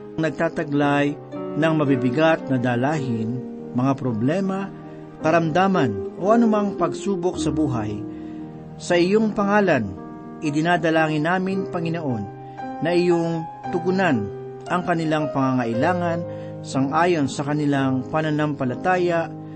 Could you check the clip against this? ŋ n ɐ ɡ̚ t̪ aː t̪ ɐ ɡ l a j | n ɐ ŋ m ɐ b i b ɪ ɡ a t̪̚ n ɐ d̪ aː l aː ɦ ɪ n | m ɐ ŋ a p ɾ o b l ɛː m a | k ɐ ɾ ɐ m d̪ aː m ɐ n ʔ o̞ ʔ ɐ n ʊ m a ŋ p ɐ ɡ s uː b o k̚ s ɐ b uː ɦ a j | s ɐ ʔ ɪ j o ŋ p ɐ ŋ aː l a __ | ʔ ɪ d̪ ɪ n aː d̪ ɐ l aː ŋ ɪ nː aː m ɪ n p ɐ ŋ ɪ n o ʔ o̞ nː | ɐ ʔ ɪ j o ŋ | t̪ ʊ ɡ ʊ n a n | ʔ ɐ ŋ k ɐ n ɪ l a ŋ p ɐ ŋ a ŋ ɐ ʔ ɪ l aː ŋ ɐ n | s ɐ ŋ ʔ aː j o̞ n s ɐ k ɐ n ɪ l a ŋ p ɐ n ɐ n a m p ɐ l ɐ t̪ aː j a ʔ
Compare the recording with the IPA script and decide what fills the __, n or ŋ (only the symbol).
n